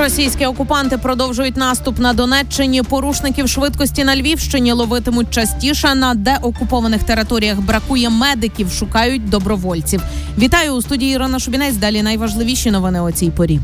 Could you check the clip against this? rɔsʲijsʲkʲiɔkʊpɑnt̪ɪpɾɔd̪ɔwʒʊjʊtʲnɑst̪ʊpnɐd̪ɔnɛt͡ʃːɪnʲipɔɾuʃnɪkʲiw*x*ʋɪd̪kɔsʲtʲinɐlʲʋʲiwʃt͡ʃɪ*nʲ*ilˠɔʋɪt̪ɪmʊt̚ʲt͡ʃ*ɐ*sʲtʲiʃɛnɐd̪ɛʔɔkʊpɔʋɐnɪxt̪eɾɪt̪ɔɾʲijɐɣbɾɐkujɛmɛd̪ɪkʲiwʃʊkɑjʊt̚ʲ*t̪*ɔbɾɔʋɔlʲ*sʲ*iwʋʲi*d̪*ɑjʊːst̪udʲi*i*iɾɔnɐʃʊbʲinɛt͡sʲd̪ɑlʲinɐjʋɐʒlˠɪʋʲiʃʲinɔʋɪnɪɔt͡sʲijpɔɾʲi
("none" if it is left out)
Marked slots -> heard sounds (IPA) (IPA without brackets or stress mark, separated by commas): ʃ, nʲ, ɐ, d̪, t͡sʲ, t̪, j